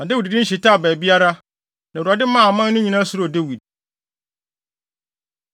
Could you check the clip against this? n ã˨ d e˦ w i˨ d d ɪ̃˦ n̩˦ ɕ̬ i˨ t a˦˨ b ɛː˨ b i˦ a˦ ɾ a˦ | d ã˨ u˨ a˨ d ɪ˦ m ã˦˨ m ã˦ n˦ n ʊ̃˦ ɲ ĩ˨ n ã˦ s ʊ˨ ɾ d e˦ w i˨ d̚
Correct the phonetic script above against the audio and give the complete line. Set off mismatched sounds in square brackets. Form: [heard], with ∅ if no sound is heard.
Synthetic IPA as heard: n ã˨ d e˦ w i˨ d d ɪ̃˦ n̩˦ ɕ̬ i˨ t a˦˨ b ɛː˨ b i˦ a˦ ɾ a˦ | [n] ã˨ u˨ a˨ d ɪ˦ m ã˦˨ m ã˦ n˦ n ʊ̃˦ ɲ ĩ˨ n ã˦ s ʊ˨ ɾ d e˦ w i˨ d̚